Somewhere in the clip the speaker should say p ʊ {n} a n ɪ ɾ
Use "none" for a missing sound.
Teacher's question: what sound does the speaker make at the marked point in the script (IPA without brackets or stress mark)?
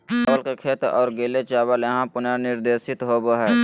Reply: n